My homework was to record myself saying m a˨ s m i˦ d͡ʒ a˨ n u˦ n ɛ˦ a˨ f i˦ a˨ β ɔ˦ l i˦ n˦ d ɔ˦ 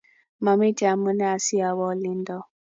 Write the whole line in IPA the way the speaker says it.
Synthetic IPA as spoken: m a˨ m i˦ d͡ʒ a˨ m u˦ n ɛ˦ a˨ s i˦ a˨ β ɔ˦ l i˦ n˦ d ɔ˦